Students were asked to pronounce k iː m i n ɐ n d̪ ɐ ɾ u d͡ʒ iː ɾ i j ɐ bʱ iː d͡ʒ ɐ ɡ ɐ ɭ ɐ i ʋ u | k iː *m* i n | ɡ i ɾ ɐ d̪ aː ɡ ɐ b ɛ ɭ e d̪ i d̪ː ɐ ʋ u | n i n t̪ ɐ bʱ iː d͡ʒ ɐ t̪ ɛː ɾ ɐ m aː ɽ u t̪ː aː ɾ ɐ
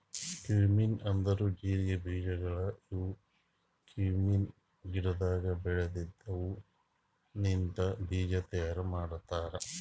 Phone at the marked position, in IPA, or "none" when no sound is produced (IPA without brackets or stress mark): m